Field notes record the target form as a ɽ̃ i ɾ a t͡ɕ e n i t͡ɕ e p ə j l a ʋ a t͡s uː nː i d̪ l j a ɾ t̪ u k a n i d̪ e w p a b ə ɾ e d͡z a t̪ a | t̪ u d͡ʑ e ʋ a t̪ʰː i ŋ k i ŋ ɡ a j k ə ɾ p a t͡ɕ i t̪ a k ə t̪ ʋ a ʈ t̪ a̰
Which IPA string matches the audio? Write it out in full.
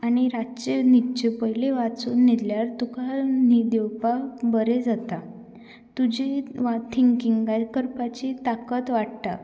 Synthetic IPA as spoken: a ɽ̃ i ɾ a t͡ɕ e n i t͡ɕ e p ə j l e ʋ a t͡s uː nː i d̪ l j a ɾ t̪ u k a n i d̪ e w p a b ə ɾ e d͡z a t̪ a | t̪ u d͡ʑ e ʋ a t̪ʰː i ŋ k i ŋ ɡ a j k ə ɾ p a t͡ɕ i t̪ a k ə t̪ ʋ a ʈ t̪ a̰